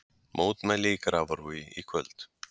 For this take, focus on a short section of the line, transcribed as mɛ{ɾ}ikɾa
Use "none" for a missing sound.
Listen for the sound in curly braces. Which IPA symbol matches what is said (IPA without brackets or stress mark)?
l